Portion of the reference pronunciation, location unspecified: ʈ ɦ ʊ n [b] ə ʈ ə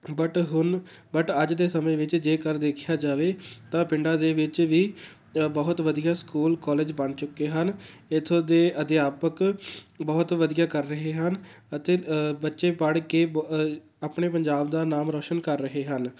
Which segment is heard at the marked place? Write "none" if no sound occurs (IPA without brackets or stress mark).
b